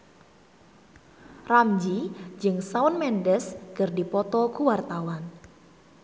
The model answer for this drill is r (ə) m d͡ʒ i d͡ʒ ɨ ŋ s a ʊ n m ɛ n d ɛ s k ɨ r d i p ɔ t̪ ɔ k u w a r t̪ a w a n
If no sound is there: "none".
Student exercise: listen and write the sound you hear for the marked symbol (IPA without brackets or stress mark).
a